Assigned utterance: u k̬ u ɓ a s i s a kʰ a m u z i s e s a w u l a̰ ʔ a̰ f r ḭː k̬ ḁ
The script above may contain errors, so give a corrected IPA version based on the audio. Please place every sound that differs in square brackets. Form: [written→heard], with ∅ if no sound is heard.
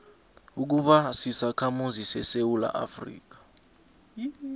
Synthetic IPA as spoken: u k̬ u ɓ a s i s a kʰ a m u z i s [e→ɛ] s [a→e] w u l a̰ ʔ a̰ f r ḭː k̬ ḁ

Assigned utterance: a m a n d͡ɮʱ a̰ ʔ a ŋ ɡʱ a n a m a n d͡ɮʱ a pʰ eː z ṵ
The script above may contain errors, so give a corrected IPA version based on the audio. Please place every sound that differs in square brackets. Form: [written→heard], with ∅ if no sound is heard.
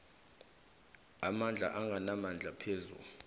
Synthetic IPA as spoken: a m a n d͡ɮʱ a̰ ʔ a ŋ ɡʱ a n a m a n d͡ɮʱ a pʰ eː z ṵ

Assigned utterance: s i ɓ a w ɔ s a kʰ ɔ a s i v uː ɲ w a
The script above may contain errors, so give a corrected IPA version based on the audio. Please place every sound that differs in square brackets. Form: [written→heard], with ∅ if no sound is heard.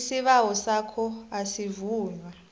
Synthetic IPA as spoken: s i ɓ a w ɔ s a kʰ ɔ a s i v uː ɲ w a

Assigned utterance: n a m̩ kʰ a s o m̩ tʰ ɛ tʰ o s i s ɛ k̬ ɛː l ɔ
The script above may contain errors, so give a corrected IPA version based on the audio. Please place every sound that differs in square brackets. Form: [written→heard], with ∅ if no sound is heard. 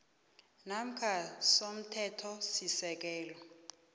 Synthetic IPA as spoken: n a m̩ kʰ a s o m̩ tʰ ɛ tʰ [o→ɔ] s i s ɛ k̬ ɛː l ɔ

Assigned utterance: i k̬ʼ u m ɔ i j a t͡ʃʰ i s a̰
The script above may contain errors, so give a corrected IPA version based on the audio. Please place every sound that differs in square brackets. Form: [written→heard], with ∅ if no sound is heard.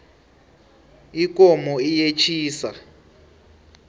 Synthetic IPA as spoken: i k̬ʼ [u→ɔ] m ɔ i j [a→e] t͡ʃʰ [i→iː] s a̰

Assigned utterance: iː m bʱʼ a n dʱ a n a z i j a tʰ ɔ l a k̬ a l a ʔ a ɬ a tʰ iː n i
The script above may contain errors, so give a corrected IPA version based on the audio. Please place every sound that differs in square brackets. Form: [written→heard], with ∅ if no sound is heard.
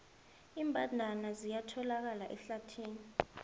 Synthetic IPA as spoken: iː m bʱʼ a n dʱ a n a z i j a tʰ ɔ l a k̬ a l a ʔ [a→ɛ] ɬ a tʰ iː n i

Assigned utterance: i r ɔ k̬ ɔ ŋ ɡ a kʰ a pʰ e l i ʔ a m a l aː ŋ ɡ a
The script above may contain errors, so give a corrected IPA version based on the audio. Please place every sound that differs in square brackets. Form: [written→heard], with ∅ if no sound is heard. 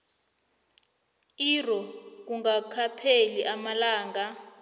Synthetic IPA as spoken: i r ɔ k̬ [ɔ→u] ŋ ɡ a kʰ a pʰ e l i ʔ a m a l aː ŋ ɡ a

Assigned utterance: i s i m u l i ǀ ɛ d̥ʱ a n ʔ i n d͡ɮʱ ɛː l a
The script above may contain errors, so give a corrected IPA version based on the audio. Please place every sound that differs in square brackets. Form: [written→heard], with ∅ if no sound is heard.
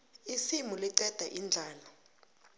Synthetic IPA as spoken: i s i m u l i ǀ ɛ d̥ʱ a [n→∅] ʔ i n d͡ɮʱ [ɛː→aː] l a

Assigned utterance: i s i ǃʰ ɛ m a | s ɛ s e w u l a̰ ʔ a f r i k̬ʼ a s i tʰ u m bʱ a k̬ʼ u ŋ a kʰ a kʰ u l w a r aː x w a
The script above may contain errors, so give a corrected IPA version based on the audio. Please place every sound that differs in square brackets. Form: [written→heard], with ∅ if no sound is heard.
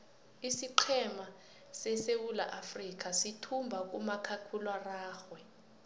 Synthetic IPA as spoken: i s i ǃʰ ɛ m a | s ɛ s e w u l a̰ ʔ a f r i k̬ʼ a s i tʰ u m bʱ a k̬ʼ u [ŋ→m] a kʰ a kʰ u l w a r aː x w [a→ɛ]

